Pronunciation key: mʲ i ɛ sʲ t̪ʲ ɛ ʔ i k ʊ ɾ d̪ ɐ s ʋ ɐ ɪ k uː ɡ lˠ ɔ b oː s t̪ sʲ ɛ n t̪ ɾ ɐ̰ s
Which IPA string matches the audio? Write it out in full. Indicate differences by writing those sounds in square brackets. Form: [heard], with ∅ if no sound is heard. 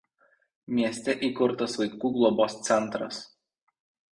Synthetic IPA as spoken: mʲ i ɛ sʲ t̪ʲ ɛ ʔ i k ʊ ɾ [t̪] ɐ s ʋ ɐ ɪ k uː ɡ lˠ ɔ b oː s t̪ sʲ ɛ n t̪ ɾ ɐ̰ s